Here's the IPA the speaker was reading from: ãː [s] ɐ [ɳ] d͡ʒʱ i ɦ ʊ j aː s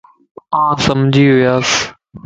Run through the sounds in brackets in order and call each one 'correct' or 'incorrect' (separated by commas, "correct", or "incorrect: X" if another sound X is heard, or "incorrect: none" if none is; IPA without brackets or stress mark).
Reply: correct, incorrect: m